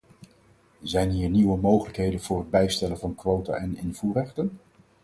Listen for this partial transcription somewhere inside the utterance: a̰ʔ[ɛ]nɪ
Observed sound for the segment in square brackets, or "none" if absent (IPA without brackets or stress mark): ɛ